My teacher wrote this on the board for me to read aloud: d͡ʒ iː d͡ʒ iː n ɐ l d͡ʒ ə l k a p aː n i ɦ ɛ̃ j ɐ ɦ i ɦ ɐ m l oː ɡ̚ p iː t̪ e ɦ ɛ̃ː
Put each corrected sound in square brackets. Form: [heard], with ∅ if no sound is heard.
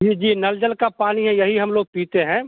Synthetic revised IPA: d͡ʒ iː d͡ʒ iː n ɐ l d͡ʒ ə l k a p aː n i ɦ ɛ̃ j ɐ ɦ i ɦ ɐ m l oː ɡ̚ p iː t̪ e ɦ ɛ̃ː